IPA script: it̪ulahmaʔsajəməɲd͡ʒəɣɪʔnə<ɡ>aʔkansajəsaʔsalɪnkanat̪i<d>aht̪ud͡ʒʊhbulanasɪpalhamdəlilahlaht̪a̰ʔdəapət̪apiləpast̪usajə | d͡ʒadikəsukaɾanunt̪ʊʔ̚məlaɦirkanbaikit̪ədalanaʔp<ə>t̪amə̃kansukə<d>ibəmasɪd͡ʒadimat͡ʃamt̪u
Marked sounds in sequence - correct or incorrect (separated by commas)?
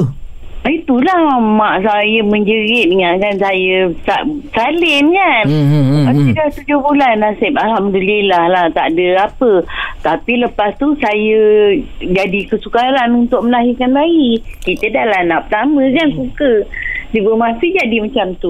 incorrect, correct, correct, correct